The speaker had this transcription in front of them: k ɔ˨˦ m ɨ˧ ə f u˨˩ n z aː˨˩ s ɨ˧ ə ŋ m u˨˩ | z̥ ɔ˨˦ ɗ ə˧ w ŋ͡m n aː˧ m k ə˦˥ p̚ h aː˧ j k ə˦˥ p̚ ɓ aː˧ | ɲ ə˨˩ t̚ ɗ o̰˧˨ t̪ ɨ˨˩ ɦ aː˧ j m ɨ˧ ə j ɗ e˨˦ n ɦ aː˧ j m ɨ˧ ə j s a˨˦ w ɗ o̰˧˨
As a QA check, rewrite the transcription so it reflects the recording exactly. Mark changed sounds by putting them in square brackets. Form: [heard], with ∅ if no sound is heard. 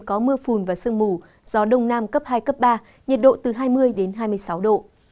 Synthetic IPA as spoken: k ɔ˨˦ m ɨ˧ ə f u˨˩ n [v] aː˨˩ s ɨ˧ ə ŋ m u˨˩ | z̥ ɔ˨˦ ɗ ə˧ w ŋ͡m n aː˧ m k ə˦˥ p̚ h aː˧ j k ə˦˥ p̚ ɓ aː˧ | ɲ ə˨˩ t̚ ɗ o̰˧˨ t̪ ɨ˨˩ ɦ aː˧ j m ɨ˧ ə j ɗ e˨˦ n ɦ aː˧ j m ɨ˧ ə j s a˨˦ w ɗ o̰˧˨

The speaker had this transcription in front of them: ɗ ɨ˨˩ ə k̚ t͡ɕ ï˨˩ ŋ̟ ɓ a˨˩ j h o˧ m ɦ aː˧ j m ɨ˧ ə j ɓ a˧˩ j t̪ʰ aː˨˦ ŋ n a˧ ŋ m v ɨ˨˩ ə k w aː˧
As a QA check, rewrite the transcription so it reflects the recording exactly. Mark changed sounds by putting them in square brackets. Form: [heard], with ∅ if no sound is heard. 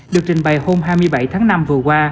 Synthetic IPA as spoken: ɗ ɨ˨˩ ə k̚ t͡ɕ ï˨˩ ŋ̟ ɓ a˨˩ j h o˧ m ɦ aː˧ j m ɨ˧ ə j ɓ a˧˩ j t̪ʰ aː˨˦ ŋ n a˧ [∅] m v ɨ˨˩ ə k w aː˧

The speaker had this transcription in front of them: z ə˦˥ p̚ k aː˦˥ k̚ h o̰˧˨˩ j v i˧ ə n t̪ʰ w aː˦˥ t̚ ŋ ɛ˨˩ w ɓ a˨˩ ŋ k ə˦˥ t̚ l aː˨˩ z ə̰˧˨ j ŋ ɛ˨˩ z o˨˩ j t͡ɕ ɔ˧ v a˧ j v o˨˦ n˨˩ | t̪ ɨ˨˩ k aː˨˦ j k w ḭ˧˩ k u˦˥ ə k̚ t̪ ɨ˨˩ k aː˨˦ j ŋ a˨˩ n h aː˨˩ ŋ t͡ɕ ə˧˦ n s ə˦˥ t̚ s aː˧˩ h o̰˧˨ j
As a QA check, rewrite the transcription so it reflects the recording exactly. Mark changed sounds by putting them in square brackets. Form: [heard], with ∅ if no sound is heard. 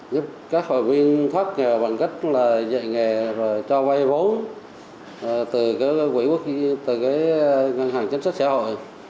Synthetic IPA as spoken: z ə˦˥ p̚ k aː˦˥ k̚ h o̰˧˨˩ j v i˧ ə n t̪ʰ w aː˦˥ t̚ ŋ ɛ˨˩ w ɓ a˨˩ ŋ k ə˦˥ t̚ l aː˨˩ z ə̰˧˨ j ŋ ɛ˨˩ z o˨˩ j t͡ɕ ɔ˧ v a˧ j v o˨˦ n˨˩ | t̪ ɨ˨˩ k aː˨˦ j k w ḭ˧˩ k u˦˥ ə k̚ t̪ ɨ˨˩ k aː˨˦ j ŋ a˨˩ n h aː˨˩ ŋ t͡ɕ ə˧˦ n s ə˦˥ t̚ s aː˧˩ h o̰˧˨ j

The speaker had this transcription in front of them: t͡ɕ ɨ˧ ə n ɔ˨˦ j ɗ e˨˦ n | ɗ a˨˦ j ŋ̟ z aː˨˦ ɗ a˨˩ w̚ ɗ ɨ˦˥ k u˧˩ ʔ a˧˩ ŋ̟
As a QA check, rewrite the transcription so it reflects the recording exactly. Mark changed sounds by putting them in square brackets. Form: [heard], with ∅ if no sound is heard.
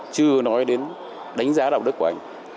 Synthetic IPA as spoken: t͡ɕ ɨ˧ ə n ɔ˨˦ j ɗ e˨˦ n | ɗ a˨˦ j ŋ̟ z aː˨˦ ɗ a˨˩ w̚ ɗ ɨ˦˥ k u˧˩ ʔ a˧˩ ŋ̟

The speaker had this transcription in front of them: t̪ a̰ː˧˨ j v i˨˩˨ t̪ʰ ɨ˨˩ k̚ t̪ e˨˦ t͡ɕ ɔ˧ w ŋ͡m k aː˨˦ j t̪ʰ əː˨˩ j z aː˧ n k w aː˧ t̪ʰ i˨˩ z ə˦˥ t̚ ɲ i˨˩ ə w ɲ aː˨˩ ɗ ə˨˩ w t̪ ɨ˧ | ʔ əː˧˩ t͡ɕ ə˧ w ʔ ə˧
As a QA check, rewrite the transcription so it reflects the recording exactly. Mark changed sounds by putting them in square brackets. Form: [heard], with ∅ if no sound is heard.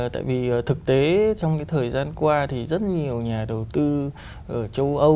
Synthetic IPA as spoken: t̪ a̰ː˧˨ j v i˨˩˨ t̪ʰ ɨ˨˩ k̚ t̪ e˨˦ t͡ɕ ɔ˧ w ŋ͡m k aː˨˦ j t̪ʰ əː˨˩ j z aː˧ n k w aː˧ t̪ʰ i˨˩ z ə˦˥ t̚ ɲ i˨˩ ə w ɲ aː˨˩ ɗ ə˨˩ w t̪ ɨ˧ | ʔ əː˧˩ t͡ɕ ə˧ w ʔ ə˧

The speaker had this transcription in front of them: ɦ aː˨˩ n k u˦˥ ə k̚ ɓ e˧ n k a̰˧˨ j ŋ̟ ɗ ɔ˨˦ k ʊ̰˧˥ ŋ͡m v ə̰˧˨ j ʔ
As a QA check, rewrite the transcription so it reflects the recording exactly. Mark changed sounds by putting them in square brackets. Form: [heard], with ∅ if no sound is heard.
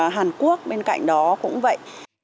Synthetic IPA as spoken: ɦ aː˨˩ n k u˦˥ ə k̚ ɓ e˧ n k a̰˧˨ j ŋ̟ ɗ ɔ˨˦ k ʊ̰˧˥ ŋ͡m v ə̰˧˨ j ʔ

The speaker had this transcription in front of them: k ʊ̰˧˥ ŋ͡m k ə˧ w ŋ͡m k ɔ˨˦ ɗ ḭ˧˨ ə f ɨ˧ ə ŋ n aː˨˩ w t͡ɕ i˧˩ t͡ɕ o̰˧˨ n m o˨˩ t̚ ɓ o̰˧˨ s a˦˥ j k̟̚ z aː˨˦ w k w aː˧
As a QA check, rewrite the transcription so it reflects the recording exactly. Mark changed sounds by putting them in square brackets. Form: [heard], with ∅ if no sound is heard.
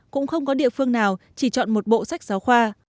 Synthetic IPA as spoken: k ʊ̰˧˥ ŋ͡m [x] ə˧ w ŋ͡m k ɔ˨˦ ɗ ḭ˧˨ ə f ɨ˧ ə ŋ n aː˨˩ w t͡ɕ i˧˩ t͡ɕ [ɔ̰˧˨] n m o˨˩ t̚ ɓ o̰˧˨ s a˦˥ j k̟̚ z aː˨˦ w [x] w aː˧

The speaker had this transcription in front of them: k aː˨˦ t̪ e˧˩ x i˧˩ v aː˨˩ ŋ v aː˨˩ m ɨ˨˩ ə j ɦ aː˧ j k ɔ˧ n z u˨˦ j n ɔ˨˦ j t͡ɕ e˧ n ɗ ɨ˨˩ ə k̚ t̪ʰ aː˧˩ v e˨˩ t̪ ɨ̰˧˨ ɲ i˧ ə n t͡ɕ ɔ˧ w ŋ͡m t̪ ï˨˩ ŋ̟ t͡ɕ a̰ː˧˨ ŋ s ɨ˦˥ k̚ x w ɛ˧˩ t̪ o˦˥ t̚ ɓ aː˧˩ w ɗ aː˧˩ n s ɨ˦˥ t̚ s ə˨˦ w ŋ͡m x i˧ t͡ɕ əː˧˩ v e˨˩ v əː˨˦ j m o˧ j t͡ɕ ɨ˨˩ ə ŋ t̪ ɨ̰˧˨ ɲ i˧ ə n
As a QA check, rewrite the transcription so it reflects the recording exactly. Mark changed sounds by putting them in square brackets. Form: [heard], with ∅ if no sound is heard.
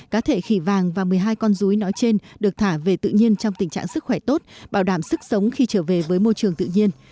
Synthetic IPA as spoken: k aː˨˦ [t̪ʰ] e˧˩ x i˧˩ v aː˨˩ ŋ v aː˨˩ m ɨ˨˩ ə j ɦ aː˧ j k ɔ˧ n z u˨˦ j n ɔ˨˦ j t͡ɕ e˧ n ɗ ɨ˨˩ ə k̚ t̪ʰ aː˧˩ v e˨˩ t̪ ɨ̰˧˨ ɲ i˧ ə n t͡ɕ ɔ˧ w ŋ͡m t̪ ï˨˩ ŋ̟ t͡ɕ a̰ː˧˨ ŋ s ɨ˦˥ k̚ x w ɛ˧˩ t̪ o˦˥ t̚ ɓ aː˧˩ w ɗ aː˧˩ [m] s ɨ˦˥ [k̚] s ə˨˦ w ŋ͡m x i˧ t͡ɕ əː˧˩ v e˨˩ v əː˨˦ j m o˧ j t͡ɕ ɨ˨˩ ə ŋ t̪ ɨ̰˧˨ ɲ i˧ ə n

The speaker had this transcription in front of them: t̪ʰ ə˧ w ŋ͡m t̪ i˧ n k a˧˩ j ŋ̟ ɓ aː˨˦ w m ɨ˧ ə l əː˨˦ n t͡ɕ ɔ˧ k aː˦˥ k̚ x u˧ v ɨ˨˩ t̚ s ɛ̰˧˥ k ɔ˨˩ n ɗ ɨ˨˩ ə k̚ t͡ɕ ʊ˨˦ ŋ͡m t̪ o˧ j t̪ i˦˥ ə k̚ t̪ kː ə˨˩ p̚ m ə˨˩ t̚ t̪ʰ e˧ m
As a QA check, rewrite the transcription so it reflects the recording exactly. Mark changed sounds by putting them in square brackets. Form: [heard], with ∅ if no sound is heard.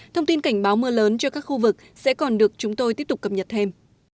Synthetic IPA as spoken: t̪ʰ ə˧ w ŋ͡m t̪ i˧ n k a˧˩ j ŋ̟ ɓ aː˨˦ w m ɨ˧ ə l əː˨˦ n t͡ɕ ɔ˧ k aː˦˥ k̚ x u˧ v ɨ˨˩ [k̚] s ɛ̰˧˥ k ɔ˨˩ n ɗ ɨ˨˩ ə k̚ t͡ɕ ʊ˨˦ ŋ͡m t̪ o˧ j t̪ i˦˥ ə [p̚] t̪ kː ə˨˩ p̚ [ɲ] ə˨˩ t̚ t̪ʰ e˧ m

